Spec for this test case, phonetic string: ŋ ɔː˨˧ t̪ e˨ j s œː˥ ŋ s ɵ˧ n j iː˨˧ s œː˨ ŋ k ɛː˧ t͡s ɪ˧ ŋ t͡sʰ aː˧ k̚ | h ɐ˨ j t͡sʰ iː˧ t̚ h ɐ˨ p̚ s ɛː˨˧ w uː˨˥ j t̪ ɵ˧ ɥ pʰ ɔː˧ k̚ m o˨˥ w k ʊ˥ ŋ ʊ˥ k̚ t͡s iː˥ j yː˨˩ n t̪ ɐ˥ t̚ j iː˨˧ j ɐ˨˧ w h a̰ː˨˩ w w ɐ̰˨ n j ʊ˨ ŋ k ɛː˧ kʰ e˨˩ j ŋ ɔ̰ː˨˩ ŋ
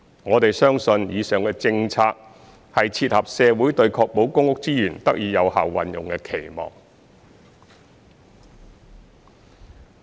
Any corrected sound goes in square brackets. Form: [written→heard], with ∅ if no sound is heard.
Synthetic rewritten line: ŋ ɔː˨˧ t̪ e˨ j s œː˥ ŋ s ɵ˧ n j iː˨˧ s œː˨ ŋ k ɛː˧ t͡s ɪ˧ ŋ t͡sʰ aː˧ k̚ | h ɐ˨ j t͡sʰ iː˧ t̚ h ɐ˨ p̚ s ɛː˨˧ w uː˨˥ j t̪ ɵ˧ ɥ [pʰ→kʰ] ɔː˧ k̚ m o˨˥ w k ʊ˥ ŋ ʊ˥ k̚ t͡s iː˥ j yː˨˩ n t̪ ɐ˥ [t̚→k̚] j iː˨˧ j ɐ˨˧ w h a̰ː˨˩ w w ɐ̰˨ n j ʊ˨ ŋ k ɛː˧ kʰ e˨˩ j [ŋ→m] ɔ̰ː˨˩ ŋ